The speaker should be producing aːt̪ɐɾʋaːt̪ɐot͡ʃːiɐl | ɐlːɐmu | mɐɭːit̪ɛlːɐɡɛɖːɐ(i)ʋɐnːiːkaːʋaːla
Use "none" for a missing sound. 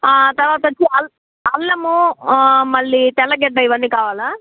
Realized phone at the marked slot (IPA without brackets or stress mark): i